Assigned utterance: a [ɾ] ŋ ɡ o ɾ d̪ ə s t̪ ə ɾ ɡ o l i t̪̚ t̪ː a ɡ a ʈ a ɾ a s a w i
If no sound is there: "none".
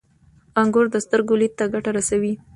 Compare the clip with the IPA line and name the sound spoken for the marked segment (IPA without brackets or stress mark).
none